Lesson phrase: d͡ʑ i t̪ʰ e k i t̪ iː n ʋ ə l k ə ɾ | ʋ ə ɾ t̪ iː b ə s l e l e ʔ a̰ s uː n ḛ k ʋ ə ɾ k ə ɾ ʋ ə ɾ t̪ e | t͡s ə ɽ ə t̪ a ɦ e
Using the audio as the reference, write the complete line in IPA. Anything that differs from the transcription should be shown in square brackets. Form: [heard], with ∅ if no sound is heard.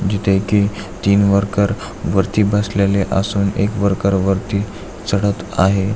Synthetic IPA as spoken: d͡ʑ i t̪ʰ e k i t̪ iː n ʋ ə [ɾ] k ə ɾ | ʋ ə ɾ t̪ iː b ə s l e l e ʔ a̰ s uː n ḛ k ʋ ə ɾ k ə ɾ ʋ ə ɾ t̪ [i] | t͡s ə ɽ ə t̪ a ɦ e